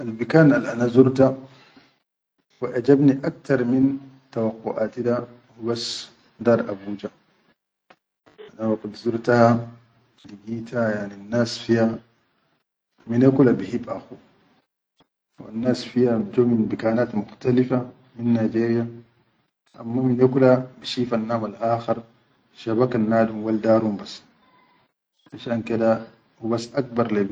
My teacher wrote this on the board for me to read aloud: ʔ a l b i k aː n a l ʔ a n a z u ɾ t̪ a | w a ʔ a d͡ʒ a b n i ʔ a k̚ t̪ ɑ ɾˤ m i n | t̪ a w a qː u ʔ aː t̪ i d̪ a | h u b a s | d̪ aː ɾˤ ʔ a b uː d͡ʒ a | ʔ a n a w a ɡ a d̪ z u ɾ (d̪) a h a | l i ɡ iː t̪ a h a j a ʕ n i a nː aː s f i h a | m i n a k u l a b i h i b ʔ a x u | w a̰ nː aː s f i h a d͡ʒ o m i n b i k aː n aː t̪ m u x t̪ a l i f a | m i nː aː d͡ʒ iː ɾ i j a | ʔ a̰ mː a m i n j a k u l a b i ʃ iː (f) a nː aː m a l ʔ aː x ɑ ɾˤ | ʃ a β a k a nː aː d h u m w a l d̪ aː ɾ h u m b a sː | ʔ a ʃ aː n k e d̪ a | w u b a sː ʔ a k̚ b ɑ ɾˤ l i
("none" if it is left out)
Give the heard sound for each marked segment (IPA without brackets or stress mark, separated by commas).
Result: t̪, f